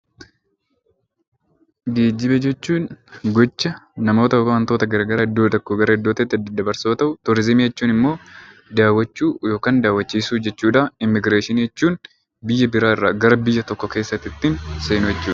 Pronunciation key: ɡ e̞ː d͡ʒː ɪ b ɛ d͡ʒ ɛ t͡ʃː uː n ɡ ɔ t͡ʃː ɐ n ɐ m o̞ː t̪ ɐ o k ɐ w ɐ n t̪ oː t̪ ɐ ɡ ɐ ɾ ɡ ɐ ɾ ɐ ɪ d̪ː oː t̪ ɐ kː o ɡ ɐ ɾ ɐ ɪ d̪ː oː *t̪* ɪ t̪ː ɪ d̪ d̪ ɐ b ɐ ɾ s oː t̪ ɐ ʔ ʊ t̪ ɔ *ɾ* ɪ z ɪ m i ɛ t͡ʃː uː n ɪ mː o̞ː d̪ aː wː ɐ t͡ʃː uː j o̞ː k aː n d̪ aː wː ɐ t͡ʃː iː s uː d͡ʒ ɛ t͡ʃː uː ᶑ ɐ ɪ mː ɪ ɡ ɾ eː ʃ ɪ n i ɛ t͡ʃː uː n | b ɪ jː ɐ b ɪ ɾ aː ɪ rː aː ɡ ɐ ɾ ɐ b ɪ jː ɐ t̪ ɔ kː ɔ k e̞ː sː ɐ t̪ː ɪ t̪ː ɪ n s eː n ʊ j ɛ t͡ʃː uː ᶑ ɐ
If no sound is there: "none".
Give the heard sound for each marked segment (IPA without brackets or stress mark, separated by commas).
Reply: t̪, ɾ